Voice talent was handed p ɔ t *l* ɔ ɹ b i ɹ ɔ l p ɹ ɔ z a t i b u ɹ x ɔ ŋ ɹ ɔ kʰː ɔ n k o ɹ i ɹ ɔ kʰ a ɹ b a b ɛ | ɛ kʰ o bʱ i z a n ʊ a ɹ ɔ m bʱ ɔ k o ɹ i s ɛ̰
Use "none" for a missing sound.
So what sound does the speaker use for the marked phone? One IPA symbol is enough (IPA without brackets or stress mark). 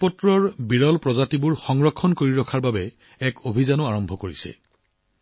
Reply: ɹ